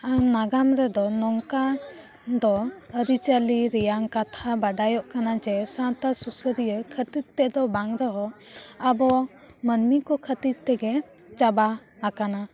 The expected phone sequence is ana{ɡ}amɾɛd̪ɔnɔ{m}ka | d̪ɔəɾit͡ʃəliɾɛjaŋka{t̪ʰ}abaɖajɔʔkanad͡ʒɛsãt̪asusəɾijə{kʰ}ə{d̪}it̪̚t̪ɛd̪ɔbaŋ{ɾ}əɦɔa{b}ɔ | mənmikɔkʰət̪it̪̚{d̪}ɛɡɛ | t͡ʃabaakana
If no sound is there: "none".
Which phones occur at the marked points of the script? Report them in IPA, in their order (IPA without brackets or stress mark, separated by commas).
ɡ, ŋ, t̪ʰ, kʰ, t̪, ɾ, b, t̪